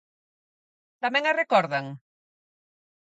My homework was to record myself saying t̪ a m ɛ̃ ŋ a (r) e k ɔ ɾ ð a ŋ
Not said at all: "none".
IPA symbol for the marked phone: r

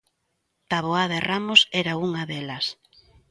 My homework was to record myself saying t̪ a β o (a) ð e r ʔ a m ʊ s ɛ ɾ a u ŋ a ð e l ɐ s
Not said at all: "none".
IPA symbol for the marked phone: a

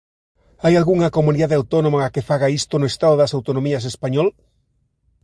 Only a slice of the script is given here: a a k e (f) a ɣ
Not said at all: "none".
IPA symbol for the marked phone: f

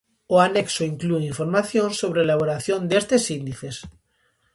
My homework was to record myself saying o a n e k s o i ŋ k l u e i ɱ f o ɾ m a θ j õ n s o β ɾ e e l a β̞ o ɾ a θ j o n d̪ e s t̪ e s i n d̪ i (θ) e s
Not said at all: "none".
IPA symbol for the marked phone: θ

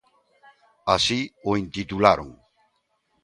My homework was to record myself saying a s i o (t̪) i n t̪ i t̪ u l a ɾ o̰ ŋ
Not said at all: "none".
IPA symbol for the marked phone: none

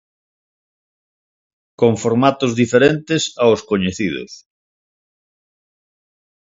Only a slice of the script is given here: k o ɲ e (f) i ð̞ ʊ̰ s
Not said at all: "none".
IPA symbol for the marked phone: θ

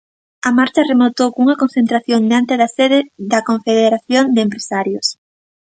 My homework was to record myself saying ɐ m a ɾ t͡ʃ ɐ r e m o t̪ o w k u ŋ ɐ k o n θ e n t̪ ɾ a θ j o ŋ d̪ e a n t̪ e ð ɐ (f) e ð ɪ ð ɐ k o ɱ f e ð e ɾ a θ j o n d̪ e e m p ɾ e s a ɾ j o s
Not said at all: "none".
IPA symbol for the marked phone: s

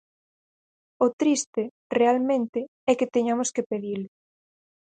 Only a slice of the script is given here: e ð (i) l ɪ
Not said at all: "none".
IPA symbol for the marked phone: i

